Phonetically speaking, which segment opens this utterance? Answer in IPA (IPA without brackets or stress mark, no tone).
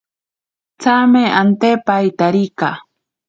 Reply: t͡s